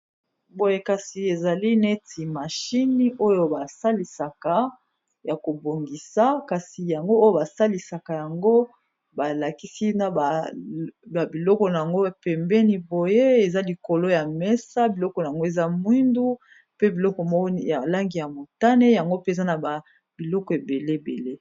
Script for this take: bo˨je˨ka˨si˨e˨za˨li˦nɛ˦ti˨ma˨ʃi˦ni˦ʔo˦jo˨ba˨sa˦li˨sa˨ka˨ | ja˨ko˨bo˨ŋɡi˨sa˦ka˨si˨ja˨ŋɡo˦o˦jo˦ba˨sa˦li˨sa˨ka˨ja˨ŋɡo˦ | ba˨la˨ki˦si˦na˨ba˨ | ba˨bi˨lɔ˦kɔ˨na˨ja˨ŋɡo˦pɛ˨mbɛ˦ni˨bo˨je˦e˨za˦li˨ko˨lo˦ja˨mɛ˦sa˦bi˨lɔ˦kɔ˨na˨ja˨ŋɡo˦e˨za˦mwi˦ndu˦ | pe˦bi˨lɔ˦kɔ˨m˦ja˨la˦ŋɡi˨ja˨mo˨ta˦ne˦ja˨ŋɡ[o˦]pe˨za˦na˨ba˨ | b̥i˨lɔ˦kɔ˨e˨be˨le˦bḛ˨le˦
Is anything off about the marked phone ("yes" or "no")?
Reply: no